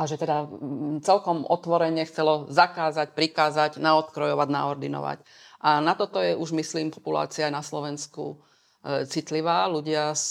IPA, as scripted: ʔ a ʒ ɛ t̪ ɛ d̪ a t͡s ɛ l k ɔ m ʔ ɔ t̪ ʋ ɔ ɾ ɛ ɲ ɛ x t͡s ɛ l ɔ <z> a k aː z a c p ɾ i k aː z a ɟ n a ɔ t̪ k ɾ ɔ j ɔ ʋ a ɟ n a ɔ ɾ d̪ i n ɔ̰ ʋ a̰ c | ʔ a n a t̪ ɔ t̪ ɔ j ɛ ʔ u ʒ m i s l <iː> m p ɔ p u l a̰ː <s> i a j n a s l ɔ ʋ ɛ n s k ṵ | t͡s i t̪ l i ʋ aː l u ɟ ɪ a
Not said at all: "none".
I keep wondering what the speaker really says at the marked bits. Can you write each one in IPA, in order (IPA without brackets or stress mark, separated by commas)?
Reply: z, iː, t͡s